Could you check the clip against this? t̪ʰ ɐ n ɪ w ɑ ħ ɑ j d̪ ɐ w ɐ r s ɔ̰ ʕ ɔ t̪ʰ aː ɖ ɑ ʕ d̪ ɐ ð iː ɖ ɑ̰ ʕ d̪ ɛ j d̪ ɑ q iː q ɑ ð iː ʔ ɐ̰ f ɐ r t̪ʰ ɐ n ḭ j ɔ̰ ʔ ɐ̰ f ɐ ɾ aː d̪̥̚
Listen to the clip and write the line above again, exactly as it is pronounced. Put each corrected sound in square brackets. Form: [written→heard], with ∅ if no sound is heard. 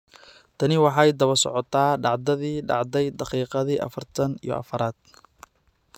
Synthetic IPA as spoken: t̪ʰ ɐ n ɪ w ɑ ħ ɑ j d̪ ɐ [w→β] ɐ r s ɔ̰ ʕ ɔ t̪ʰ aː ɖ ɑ ʕ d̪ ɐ ð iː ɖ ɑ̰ ʕ d̪ ɛ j d̪ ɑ q iː q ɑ ð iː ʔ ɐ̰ f ɐ r t̪ʰ ɐ n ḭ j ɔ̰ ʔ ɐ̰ f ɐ ɾ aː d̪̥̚